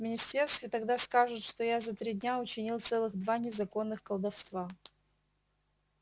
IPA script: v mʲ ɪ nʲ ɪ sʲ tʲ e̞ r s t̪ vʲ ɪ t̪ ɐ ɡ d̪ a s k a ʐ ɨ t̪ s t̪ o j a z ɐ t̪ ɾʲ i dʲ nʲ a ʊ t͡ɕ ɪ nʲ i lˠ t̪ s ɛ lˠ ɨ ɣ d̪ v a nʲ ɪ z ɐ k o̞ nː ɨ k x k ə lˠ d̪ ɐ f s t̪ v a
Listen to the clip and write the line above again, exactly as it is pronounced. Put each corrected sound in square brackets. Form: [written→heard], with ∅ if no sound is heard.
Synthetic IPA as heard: v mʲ ɪ nʲ ɪ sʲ tʲ e̞ r s t̪ vʲ ɪ t̪ ɐ ɡ d̪ a s k a ʐ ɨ t̪ [s→ʂ] t̪ o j a z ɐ t̪ ɾʲ i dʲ nʲ a ʊ t͡ɕ ɪ nʲ i lˠ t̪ s ɛ lˠ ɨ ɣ d̪ v a nʲ ɪ z ɐ k o̞ nː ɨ [k→∅] x k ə lˠ d̪ ɐ f s t̪ v a

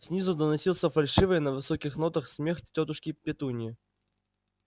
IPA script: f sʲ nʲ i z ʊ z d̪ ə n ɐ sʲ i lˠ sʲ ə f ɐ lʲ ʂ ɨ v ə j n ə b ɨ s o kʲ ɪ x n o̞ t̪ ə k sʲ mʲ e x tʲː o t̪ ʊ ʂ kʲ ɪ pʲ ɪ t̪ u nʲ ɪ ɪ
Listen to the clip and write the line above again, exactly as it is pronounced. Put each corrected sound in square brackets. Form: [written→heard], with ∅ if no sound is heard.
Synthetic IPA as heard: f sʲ nʲ i z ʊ [z→∅] d̪ ə n ɐ sʲ i lˠ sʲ ə f ɐ lʲ ʂ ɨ v ə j n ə [b→v] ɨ s o kʲ ɪ x n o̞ t̪ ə [k→x] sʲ mʲ e x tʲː o t̪ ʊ ʂ kʲ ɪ pʲ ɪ t̪ u nʲ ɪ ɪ

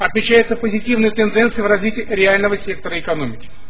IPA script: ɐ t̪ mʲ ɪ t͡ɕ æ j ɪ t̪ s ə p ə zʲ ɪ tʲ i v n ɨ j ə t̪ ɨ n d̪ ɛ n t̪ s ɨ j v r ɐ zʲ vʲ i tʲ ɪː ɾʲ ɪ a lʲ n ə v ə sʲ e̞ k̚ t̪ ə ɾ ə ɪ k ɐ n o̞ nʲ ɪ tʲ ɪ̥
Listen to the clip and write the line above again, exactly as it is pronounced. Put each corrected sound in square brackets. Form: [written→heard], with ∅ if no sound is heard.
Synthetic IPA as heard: ɐ t̪ mʲ ɪ t͡ɕ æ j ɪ t̪ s ə p ə zʲ ɪ tʲ i v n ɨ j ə t̪ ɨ n d̪ ɛ n t̪ s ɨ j v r ɐ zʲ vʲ i tʲ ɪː ɾʲ ɪ a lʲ n ə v ə sʲ e̞ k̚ t̪ ə ɾ ə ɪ k ɐ n o̞ [nʲ→mʲ] ɪ [tʲ→kʲ] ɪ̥

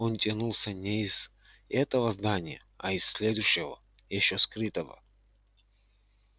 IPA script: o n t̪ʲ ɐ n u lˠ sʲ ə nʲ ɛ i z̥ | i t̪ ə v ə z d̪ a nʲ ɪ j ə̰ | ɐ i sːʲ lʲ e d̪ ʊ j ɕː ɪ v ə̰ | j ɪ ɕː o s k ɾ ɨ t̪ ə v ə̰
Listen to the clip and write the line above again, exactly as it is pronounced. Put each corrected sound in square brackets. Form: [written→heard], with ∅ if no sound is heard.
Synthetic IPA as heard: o n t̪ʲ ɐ n u lˠ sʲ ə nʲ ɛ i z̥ | [i→ɛ] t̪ ə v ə z d̪ a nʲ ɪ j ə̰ | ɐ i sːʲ lʲ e d̪ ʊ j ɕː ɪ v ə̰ | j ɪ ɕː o s k ɾ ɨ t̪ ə v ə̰

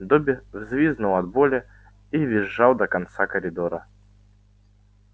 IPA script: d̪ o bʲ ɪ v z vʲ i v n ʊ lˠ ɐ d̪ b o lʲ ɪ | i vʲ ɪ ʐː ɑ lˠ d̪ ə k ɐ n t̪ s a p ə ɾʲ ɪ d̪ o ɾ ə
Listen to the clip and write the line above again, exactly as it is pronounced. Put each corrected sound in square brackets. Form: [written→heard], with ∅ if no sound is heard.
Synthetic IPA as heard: d̪ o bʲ ɪ v z vʲ i [v→z] n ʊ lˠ ɐ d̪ b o lʲ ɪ | i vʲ ɪ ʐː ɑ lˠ d̪ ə k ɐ n t̪ s a [p→k] ə ɾʲ ɪ d̪ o ɾ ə

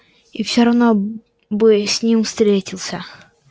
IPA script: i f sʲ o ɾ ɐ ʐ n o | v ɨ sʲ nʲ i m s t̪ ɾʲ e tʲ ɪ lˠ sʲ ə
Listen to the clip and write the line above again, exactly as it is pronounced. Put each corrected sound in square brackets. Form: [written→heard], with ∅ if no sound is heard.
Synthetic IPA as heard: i f sʲ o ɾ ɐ [ʐ→v] n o | [v→b] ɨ sʲ nʲ i m s t̪ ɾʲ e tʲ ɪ lˠ sʲ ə

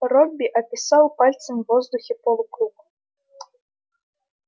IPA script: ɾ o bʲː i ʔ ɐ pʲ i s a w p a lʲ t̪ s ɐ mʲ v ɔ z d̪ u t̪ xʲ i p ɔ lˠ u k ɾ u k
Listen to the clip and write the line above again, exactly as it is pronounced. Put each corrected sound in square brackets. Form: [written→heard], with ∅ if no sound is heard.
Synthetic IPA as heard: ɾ [o→ɔ] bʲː i ʔ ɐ pʲ i s a w p a lʲ t̪ s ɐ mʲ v ɔ z d̪ u [t̪→∅] xʲ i p ɔ lˠ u k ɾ u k

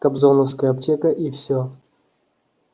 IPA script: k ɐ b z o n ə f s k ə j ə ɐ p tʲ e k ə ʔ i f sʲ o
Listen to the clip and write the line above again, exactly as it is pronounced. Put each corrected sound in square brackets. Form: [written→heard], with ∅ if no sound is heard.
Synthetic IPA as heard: k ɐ b z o n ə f s k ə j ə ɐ p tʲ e k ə ʔ i f sʲ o

